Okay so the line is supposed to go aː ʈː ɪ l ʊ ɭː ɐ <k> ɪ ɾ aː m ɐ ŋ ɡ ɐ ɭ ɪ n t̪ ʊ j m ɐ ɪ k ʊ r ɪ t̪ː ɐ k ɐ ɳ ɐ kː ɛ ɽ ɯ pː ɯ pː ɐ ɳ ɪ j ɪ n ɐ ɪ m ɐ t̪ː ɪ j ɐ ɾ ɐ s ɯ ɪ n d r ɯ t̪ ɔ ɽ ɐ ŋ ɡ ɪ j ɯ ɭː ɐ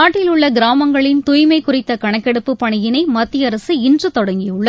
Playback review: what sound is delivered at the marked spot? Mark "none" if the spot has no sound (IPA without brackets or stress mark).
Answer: ɡ